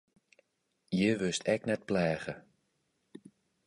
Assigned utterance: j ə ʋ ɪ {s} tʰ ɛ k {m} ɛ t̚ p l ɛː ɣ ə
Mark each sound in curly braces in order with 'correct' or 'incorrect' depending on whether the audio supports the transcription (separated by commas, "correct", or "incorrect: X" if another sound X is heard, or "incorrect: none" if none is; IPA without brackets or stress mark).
correct, incorrect: n